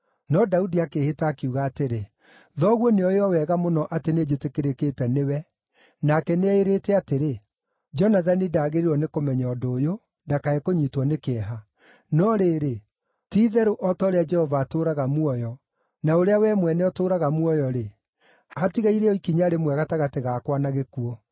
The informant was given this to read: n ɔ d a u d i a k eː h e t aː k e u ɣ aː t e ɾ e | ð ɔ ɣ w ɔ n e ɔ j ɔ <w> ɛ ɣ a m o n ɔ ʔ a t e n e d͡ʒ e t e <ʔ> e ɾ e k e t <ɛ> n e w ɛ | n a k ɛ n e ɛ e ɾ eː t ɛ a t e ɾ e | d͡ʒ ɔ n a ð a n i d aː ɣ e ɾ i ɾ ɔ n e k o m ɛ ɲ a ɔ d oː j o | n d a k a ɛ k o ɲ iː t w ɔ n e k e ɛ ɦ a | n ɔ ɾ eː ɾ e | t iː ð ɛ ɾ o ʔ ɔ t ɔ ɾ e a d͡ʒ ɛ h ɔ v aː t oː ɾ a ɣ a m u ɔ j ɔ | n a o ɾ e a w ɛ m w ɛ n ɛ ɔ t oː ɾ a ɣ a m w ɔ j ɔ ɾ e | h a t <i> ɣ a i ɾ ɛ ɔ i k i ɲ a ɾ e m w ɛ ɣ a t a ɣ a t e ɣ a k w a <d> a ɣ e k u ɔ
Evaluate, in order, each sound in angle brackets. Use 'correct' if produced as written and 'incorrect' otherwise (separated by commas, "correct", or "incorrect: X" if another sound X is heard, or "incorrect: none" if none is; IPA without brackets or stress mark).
correct, incorrect: k, correct, correct, incorrect: n